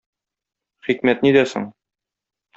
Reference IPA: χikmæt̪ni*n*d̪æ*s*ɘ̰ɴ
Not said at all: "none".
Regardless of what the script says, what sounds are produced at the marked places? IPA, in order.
none, s

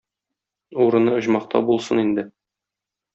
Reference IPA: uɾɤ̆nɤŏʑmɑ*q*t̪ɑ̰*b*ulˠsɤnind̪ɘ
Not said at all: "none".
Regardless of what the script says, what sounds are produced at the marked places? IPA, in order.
q, b

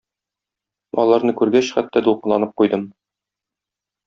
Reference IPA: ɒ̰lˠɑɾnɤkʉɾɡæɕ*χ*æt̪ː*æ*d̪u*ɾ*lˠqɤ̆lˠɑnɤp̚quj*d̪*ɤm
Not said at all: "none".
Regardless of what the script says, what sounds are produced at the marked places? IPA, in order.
χ, æ, none, d̪

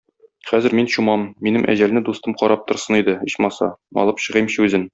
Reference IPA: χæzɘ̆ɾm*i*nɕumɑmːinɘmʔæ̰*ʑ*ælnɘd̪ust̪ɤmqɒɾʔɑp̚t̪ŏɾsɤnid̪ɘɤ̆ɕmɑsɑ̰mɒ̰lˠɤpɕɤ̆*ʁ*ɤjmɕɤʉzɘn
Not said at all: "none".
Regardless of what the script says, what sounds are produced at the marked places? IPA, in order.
i, ʑ, ʁ

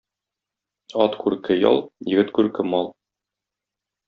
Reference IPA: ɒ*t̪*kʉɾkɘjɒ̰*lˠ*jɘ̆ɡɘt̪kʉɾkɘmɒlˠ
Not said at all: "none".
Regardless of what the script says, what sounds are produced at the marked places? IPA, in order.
t̪, lˠ

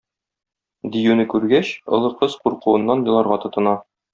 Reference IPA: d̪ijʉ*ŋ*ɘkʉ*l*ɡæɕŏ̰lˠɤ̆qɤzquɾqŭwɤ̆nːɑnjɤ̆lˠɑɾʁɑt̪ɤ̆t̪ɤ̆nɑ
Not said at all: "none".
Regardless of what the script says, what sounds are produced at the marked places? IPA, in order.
n, ɾ

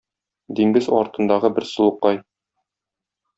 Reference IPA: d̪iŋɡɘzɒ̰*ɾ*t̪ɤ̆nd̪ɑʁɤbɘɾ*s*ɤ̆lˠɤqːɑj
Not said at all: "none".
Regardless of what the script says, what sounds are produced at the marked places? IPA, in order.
ɾ, s

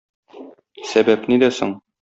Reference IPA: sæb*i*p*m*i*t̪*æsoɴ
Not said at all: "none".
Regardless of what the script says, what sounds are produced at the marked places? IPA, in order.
æ, n, d̪

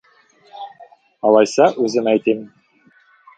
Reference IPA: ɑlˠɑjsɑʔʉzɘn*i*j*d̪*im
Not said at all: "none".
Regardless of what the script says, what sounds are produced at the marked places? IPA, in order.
æ, t̪

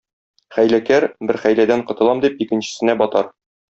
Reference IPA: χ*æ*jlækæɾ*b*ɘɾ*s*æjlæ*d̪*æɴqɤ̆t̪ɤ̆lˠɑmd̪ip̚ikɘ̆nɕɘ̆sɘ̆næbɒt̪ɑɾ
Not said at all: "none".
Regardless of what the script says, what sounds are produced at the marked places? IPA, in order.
æ, b, χ, d̪

